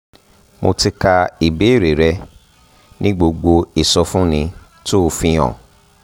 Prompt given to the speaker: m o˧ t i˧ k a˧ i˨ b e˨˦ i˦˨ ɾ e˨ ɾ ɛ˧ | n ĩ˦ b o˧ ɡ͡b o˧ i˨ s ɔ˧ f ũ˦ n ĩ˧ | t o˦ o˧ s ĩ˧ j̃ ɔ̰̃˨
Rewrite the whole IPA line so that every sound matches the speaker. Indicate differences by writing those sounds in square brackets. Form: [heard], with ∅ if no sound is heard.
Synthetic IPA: m o˧ t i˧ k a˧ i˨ b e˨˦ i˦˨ ɾ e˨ ɾ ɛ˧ | n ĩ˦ [ɡ͡b] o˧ ɡ͡b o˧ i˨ s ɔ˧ f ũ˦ n ĩ˧ | t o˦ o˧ [f] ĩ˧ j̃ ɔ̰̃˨